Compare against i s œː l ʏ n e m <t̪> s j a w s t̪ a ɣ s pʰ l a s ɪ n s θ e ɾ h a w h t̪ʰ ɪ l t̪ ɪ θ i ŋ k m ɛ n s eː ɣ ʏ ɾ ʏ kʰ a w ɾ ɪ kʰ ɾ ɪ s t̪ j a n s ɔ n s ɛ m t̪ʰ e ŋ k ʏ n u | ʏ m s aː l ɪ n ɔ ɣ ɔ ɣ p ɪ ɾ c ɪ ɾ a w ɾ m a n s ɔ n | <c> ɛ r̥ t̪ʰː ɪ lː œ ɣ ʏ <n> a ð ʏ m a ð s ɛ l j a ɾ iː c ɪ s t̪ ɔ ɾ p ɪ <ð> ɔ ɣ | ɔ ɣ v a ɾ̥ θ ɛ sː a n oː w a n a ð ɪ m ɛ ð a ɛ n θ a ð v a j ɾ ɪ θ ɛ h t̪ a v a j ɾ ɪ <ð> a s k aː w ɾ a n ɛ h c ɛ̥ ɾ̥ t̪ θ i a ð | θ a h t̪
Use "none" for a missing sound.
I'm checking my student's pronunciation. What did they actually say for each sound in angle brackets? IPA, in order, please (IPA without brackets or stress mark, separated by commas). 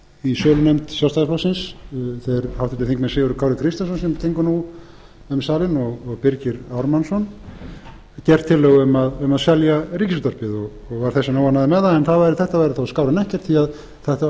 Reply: t̪, c, m, ð, θ